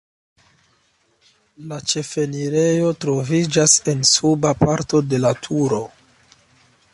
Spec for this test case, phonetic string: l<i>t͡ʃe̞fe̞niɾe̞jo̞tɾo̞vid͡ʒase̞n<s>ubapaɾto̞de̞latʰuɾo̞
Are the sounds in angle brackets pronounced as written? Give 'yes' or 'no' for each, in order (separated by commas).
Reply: no, yes